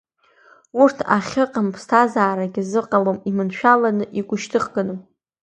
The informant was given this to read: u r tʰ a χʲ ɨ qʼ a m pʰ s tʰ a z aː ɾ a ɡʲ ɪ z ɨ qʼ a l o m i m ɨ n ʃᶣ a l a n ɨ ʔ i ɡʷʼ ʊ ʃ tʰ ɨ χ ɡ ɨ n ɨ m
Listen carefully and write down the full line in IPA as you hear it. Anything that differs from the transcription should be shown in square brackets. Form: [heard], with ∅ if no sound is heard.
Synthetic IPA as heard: u r tʰ a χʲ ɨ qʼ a m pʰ s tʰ a z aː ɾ a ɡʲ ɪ z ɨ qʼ a l o m i m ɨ n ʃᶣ a l a n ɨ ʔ i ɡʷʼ ʊ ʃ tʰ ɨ χ ɡ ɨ n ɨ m